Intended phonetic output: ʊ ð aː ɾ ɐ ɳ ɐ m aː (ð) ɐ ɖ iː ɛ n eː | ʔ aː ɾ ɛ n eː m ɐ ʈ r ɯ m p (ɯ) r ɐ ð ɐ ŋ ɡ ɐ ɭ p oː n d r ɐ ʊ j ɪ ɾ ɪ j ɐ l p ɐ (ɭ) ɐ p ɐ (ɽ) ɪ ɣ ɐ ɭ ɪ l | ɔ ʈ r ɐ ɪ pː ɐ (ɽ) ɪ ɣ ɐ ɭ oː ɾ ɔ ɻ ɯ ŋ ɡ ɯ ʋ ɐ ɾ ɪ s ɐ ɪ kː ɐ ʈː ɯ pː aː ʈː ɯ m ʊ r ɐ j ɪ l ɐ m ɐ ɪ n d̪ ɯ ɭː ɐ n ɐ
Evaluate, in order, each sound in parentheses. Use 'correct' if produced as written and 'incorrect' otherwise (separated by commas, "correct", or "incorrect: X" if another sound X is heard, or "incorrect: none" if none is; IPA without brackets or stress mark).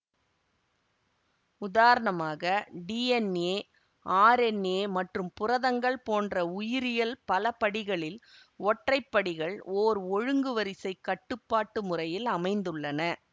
incorrect: ɣ, incorrect: ʊ, incorrect: l, correct, correct